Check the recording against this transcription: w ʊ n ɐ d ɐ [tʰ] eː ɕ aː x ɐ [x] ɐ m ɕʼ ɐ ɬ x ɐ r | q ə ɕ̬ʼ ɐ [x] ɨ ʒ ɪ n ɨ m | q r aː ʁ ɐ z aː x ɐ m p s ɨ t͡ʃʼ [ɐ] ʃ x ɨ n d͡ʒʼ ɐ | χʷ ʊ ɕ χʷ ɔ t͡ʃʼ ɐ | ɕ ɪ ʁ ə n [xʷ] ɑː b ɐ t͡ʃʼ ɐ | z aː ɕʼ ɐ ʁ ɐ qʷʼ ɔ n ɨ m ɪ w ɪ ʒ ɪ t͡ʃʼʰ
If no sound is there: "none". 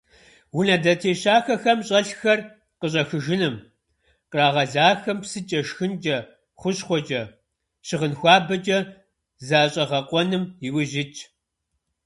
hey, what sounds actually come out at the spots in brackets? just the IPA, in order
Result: tʰ, x, x, ɐ, xʷ

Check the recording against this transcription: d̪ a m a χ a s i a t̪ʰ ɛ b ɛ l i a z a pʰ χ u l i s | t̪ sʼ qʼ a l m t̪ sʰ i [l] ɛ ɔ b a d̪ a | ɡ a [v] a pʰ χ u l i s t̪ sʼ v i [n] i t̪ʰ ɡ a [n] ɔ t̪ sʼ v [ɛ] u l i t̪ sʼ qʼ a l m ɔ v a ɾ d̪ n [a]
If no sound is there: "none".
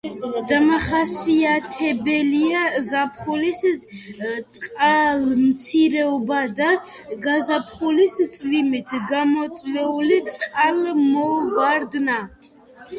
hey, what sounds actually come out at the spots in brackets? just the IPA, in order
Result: ɾ, z, m, m, ɛ, a

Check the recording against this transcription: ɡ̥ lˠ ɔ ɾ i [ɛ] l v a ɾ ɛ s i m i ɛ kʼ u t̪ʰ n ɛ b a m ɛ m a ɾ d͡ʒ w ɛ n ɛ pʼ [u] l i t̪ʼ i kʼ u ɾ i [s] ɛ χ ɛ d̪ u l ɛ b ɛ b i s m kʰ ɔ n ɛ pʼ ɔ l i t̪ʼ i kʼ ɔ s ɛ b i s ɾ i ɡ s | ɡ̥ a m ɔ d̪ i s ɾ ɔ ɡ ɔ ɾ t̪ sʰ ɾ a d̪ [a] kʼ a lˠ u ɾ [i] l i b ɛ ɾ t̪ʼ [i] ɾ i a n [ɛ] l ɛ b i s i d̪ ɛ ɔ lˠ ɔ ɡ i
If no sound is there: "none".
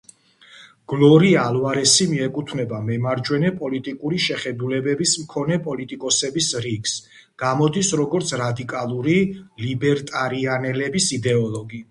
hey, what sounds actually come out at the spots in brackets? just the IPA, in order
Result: a, ɔ, ʃ, i, i, a, ɛ

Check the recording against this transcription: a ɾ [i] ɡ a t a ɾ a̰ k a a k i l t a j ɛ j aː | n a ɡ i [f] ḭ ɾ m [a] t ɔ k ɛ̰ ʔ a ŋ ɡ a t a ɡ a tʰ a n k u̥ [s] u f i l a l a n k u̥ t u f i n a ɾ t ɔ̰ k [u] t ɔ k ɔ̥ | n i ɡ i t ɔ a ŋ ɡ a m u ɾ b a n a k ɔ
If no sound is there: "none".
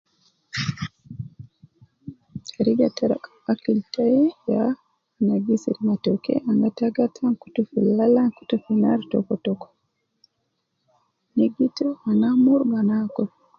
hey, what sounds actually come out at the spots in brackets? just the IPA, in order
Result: i, s, a, t, ɔ

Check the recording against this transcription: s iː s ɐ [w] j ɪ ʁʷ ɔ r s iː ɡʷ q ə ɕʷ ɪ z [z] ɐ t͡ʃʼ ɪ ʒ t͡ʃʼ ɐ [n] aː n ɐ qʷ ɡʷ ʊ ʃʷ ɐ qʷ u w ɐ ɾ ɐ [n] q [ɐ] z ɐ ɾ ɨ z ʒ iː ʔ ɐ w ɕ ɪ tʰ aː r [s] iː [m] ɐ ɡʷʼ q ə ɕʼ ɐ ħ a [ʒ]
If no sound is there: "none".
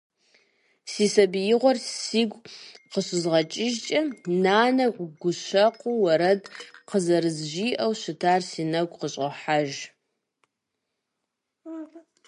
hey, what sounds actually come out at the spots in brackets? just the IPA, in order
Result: b, ʁ, n, d, ə, s, n, ʒ

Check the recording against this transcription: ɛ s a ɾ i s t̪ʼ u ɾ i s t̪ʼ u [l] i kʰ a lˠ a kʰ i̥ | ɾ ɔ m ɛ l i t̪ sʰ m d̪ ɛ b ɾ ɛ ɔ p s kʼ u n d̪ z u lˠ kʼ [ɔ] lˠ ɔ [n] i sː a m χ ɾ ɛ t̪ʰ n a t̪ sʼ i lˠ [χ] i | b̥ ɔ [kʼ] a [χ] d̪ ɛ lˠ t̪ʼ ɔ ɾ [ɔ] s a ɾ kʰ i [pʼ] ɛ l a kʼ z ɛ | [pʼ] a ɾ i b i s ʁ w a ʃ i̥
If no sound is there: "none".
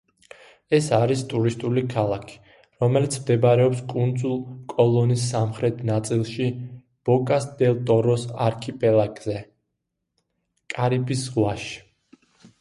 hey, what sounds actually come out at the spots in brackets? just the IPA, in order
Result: l, ɔ, n, ʃ, kʼ, s, ɔ, pʼ, kʼ

